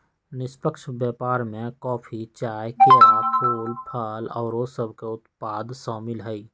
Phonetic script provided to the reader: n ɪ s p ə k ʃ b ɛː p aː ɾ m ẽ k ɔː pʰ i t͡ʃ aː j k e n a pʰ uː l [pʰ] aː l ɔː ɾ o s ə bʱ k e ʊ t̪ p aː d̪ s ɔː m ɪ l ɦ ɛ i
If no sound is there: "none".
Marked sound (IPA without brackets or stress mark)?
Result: pʰ